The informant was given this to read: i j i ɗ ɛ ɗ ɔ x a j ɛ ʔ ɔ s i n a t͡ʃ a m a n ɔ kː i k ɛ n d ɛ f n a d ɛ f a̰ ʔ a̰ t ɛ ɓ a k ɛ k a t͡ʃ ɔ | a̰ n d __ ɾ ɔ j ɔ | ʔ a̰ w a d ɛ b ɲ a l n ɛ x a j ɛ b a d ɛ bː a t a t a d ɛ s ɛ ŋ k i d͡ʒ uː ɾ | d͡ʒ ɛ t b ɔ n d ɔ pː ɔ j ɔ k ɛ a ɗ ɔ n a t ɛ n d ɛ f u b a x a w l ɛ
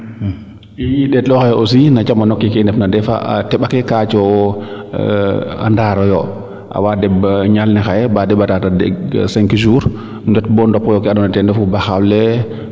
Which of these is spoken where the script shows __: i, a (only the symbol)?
a